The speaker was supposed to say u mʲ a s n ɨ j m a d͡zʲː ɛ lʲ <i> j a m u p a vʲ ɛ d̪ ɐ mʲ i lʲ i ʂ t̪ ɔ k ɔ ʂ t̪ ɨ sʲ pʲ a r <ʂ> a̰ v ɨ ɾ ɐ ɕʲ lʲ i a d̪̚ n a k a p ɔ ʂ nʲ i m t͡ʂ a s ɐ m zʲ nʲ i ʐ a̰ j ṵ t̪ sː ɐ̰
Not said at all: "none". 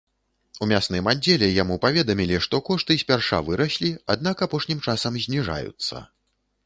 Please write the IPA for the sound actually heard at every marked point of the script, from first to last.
ɛ, ʂ

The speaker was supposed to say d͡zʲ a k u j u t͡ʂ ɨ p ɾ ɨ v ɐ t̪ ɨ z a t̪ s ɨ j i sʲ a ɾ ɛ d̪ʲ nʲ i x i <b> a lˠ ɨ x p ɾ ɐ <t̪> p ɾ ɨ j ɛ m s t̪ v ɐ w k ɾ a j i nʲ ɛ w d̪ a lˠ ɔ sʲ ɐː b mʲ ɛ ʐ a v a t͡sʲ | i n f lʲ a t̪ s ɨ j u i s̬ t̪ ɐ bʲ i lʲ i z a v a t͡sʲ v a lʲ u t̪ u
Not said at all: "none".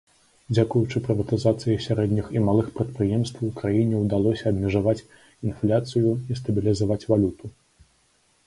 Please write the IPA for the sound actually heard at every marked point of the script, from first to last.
m, t̪

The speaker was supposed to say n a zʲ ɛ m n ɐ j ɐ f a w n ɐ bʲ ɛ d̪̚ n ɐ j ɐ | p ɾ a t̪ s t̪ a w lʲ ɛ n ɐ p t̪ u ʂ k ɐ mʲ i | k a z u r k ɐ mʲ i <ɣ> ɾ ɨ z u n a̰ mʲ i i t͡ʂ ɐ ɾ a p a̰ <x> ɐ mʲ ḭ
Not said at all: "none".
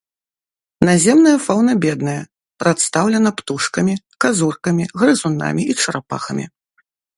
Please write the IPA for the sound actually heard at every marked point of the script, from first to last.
ɣ, x

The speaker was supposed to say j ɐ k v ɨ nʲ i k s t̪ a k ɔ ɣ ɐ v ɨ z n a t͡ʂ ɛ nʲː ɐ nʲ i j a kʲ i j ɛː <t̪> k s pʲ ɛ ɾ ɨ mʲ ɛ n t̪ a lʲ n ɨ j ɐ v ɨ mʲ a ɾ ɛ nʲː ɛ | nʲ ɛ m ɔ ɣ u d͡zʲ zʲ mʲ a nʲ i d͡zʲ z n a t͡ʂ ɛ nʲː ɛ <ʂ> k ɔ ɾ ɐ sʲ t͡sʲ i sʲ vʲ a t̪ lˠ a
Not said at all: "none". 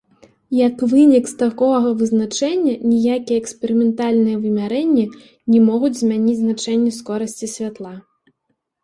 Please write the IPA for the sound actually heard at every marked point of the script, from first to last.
none, s

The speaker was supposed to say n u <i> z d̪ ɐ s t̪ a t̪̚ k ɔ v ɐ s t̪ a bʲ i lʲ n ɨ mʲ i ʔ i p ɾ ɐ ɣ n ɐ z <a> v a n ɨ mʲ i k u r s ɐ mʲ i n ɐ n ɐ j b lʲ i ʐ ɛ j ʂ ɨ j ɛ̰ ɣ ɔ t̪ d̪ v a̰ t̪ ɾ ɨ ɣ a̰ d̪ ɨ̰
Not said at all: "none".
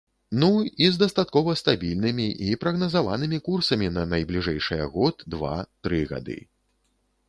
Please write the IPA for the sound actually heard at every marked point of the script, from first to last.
i, a

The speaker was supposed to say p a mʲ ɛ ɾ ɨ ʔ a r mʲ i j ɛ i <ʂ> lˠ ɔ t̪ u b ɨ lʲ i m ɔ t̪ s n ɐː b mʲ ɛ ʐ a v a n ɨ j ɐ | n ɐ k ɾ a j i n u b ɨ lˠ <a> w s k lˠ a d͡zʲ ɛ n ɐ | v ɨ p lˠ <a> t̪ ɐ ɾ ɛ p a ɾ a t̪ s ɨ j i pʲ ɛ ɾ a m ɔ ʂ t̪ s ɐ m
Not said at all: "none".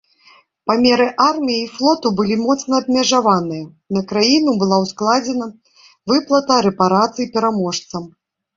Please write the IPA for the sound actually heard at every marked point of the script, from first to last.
f, a, ɐ

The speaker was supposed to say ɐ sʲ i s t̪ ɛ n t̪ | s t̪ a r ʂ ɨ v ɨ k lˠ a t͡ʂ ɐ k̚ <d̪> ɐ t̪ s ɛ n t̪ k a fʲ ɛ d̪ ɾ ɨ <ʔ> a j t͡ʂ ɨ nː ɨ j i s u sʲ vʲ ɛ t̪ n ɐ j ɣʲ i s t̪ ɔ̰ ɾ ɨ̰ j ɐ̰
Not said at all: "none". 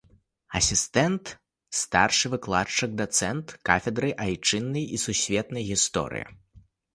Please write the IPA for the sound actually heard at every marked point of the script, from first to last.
d̪, ʔ

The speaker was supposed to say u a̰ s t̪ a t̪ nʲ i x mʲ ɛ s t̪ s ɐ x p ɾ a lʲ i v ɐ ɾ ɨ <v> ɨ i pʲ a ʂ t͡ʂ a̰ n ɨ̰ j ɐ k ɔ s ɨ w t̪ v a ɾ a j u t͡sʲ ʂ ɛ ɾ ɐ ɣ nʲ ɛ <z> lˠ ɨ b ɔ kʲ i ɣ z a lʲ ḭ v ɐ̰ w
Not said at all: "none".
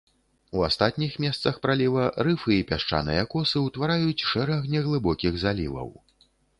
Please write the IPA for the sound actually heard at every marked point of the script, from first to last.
f, ɣ

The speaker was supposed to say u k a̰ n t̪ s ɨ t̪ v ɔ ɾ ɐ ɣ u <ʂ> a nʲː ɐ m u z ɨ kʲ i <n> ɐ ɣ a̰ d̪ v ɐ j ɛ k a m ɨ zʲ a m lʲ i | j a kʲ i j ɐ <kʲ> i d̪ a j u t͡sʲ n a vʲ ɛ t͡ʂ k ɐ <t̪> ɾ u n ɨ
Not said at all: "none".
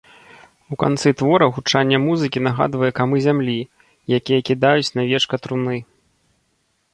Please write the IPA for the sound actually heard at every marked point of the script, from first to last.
t͡ʂ, n, kʲ, t̪

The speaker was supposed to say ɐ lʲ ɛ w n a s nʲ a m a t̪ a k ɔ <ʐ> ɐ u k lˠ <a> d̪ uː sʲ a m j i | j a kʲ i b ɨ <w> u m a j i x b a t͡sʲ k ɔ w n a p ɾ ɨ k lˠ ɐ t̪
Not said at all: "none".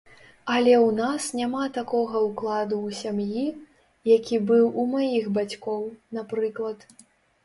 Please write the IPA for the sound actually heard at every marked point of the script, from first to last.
ɣ, a, w

